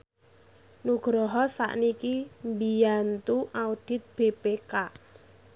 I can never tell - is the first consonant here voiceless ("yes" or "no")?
no